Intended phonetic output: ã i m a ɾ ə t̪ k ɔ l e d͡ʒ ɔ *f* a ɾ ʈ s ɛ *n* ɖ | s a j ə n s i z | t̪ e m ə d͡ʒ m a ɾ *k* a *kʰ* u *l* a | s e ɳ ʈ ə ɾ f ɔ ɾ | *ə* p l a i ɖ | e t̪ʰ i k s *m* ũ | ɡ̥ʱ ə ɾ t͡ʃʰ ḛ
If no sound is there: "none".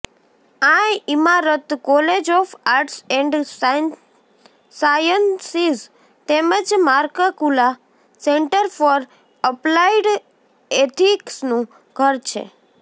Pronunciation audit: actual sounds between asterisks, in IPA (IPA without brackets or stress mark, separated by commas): f, ɳ, k, k, l, ə, n